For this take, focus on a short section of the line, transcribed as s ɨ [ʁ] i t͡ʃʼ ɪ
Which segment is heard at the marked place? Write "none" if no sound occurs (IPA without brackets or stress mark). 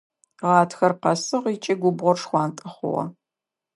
ʁ